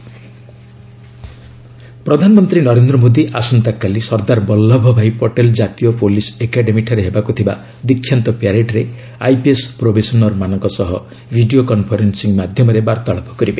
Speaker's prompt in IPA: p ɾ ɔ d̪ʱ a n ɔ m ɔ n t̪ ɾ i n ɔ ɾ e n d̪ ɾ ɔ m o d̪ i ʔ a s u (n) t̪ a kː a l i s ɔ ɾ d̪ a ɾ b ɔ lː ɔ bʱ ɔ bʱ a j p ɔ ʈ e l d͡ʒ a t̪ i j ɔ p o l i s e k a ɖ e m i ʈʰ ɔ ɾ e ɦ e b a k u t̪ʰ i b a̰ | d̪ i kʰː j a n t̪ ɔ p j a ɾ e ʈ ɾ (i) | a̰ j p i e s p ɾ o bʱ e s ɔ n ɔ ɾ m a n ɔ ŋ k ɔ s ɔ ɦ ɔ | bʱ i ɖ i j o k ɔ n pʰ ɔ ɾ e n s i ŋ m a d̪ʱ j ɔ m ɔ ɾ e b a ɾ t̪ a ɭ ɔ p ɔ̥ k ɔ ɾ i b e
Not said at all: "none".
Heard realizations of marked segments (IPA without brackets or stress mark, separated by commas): n, e